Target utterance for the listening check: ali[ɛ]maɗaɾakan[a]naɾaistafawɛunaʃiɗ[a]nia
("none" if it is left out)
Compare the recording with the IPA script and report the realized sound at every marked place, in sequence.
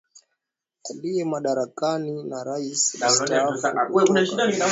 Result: ɛ, i, a

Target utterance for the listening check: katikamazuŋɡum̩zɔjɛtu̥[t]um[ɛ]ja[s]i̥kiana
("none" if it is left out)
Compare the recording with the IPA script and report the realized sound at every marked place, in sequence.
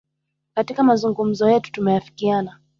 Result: t, ɛ, f

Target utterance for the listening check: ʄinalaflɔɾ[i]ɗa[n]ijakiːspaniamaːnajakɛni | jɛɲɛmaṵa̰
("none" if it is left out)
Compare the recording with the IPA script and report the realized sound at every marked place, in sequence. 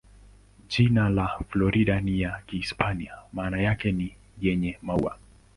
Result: i, n

